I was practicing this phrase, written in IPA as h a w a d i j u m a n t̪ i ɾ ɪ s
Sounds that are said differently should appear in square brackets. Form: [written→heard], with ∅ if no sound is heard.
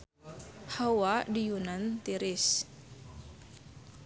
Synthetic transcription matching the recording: h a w a d i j u [m→n] a n t̪ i ɾ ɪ s